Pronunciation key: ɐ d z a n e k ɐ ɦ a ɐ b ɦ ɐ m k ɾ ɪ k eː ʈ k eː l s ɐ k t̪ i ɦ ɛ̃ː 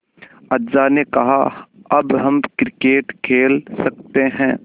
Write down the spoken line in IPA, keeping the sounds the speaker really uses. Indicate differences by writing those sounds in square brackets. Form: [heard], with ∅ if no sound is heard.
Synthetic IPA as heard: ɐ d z a n e k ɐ ɦ a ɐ b ɦ ɐ m k ɾ ɪ k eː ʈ [kʰ] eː l s ɐ k t̪ [e] ɦ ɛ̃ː